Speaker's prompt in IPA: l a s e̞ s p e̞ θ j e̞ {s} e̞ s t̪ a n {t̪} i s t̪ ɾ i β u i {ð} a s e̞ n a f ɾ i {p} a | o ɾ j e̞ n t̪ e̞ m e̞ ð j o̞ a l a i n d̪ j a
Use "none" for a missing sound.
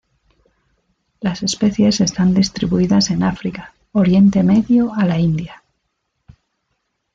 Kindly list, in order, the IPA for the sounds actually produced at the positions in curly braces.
s, d̪, ð, k

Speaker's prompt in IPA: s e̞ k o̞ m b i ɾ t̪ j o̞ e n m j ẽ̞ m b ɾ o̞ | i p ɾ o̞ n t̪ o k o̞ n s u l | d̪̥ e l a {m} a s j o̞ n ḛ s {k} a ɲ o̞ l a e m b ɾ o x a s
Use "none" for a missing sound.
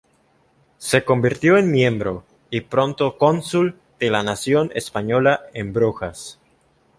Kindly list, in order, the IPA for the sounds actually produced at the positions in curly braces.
n, p

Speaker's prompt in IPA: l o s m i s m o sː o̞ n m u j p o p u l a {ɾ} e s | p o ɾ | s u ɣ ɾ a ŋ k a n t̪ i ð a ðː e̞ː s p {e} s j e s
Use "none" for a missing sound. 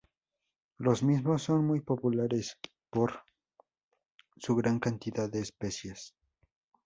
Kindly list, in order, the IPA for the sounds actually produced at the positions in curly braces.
ɾ, e

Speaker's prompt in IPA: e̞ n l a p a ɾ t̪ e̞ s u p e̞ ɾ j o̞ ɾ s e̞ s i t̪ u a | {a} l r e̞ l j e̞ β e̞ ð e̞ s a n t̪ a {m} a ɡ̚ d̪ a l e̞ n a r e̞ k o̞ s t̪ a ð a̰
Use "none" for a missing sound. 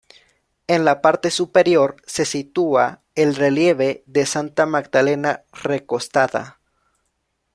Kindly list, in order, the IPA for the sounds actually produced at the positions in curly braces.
e, m

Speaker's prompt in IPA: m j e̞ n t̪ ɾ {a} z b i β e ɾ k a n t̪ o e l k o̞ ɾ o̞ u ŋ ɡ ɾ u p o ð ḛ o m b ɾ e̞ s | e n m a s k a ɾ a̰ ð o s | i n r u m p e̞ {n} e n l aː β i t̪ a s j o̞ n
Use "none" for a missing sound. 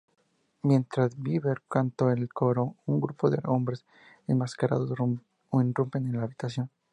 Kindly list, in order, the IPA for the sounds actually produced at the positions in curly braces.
a, n

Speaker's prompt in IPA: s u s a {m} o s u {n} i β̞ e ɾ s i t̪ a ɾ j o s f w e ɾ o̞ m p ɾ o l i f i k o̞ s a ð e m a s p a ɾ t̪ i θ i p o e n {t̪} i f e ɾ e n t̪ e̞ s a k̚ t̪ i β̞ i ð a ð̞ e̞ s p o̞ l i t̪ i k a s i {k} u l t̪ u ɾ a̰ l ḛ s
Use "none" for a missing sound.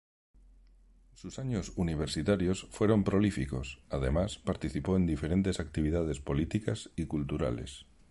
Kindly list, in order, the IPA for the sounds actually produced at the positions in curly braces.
ɲ, n, d̪, k

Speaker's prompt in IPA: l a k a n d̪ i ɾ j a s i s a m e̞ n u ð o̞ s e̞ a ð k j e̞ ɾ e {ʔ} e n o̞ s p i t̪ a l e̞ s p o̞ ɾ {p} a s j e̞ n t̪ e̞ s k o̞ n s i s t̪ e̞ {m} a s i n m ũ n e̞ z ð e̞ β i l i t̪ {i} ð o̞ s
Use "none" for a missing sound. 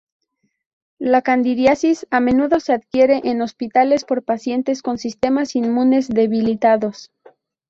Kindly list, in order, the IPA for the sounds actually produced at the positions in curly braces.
ʔ, p, m, a

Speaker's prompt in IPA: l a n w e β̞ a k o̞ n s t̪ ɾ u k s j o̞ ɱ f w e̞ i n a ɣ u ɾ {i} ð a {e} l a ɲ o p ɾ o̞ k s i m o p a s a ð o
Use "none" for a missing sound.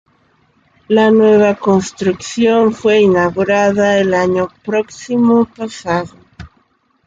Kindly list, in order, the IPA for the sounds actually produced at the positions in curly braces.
a, e

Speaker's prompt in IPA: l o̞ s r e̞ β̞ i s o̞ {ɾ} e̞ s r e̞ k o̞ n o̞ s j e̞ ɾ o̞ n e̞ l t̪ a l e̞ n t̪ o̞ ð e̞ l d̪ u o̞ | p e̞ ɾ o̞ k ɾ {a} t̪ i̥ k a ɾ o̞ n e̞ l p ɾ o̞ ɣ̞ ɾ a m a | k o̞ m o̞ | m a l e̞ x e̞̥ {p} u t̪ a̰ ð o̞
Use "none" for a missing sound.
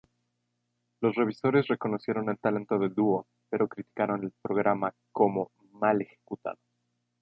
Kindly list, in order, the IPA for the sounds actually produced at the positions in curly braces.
ɾ, i, k

